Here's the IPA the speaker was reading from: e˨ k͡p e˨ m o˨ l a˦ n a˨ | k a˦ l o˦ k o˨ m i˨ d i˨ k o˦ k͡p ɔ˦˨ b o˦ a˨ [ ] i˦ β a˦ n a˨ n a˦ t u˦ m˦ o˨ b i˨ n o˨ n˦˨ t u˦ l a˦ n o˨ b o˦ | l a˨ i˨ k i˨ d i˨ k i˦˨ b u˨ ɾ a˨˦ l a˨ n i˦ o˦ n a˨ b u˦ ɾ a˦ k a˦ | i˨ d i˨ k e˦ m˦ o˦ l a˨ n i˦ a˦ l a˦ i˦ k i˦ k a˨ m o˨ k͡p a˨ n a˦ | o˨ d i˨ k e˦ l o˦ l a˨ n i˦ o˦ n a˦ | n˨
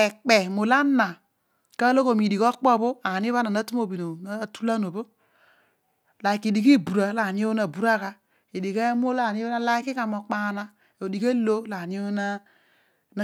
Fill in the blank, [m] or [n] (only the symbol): n